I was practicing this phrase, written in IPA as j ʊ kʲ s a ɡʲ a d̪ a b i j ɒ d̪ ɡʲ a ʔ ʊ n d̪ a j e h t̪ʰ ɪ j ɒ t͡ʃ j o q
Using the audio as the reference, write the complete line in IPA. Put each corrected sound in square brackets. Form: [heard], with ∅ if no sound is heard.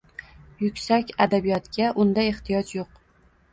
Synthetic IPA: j ʊ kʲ s a [kʲ] a d̪ a b i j ɒ [t̪] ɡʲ a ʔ ʊ n d̪ a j e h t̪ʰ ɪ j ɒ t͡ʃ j o q